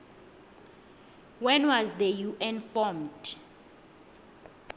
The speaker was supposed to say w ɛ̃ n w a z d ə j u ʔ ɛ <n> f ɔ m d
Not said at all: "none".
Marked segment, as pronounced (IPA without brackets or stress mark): n